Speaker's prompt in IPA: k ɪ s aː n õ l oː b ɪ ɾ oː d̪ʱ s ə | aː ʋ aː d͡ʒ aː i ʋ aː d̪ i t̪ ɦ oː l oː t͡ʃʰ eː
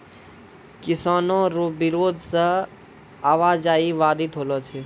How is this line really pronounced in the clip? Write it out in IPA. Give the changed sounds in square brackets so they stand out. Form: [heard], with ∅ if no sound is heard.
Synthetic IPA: k ɪ s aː n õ [ɾ] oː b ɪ ɾ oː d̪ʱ s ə | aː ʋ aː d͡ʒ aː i ʋ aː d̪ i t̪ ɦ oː l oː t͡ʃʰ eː

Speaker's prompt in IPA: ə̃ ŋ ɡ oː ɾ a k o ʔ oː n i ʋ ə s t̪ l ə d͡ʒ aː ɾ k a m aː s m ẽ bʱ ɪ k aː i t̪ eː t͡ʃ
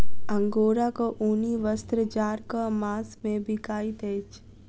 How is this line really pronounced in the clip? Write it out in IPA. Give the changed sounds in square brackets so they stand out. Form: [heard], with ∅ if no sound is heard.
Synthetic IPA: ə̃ ŋ ɡ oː ɾ a k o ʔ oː n i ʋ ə s t̪ [ɾ] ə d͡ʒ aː ɾ k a m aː s m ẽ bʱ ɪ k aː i t̪ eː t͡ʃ

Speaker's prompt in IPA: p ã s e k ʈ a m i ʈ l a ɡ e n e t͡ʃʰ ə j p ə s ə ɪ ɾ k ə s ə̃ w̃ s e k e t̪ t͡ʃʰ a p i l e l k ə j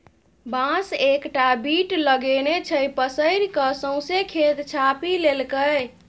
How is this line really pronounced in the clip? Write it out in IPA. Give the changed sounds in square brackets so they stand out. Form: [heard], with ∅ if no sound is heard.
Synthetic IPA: [b] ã s e k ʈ a [b] i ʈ l [ə] ɡ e n e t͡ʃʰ ə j p ə s ə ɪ ɾ k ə s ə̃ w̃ s e [kʰ] e t̪ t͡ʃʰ a p i l e l k ə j

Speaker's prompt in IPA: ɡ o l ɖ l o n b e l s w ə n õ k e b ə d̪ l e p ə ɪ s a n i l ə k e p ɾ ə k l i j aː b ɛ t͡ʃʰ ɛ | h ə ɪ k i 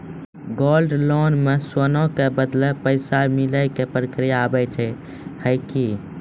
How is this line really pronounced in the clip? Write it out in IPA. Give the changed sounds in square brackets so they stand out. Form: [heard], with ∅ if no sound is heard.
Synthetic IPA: ɡ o l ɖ l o n [m] e [∅] s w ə n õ k e b ə d̪ l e p ə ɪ s a [m] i l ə k e p ɾ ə k [ɾ] i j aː b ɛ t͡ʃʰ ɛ | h ə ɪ k i

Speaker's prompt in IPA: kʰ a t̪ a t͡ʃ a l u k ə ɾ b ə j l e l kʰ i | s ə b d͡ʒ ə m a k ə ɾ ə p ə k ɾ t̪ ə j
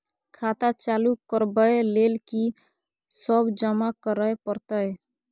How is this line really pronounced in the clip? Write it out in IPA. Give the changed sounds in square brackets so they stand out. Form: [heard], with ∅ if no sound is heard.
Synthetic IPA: kʰ a t̪ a t͡ʃ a l u k ə ɾ b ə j l e l [k] i | s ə b d͡ʒ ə m a k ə ɾ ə p ə [∅] ɾ t̪ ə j

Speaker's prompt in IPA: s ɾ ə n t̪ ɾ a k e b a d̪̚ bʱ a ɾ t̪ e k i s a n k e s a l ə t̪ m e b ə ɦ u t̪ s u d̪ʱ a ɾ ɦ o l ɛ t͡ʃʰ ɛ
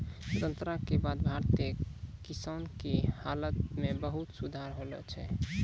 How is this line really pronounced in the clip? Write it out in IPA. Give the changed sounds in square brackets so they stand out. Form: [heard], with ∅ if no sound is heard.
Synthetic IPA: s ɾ ə n t̪ ɾ a k e b a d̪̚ bʱ a ɾ t̪ e k i s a n k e [h] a l ə t̪ m e b ə ɦ u t̪ s u d̪ʱ a ɾ ɦ o l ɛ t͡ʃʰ ɛ

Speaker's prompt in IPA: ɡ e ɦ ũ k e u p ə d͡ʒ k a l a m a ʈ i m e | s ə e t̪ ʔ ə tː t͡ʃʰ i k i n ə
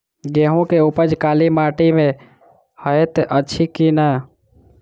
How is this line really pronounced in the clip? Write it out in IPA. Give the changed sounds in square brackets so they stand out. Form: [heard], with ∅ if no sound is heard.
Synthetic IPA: ɡ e ɦ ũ k e u p ə d͡ʒ k a l [i] m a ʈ i m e | [h] ə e t̪ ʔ ə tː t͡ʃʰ i k i n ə

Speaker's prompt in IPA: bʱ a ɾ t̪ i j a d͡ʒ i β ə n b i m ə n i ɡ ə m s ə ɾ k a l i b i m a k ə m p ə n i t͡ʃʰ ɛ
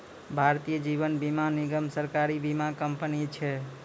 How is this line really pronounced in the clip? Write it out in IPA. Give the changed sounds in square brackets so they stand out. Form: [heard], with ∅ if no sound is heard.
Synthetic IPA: bʱ a ɾ t̪ i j [ə] d͡ʒ i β ə n b i m [a] n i ɡ ə m s ə ɾ k a [ɾ] i b i m a k ə m p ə n i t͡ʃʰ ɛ

